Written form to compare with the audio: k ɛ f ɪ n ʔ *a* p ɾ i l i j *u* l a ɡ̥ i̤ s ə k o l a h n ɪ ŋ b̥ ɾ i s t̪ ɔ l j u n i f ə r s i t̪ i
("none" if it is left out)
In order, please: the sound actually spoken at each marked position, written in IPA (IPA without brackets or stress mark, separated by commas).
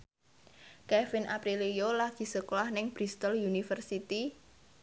a, o